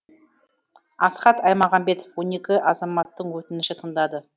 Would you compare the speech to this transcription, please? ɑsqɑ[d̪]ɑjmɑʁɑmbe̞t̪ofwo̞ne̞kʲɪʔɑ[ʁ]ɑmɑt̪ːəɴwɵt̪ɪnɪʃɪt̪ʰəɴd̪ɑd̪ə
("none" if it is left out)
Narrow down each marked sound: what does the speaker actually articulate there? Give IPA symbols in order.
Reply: t̪, z

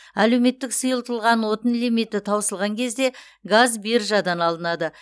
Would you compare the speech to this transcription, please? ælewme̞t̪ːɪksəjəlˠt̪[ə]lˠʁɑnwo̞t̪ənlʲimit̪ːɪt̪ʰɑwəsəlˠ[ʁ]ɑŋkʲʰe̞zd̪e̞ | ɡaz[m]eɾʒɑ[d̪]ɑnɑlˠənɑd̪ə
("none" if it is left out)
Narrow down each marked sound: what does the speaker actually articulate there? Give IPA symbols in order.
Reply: ə, ʁ, b, d̪

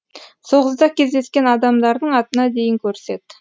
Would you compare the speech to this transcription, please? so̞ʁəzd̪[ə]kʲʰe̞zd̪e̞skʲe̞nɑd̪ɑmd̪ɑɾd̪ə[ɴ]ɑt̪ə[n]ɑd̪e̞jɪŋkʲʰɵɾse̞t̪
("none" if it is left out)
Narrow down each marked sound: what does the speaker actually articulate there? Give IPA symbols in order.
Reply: ɑ, ɴ, n

